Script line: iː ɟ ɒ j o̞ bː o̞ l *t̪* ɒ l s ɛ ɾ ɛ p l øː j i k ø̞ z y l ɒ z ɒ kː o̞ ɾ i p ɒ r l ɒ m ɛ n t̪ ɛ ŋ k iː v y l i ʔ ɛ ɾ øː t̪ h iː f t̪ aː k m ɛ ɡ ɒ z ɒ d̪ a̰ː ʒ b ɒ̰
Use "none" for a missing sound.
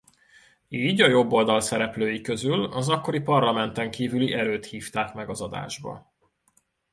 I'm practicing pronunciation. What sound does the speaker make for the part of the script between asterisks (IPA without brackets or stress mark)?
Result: d̪